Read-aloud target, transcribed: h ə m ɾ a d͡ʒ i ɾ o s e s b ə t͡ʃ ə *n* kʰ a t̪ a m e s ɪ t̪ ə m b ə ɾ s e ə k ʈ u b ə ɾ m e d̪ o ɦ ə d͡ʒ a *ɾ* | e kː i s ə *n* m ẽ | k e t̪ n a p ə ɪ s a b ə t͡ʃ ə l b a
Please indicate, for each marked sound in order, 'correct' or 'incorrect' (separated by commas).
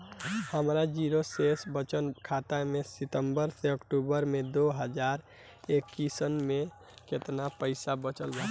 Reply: correct, correct, correct